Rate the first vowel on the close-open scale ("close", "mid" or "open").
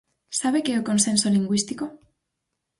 open